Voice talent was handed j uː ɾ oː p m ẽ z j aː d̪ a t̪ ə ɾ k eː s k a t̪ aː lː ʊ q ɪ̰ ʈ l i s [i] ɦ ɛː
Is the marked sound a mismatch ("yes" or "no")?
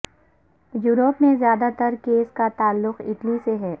yes